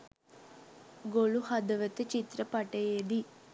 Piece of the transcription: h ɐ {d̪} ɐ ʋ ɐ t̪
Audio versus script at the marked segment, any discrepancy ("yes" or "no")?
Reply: no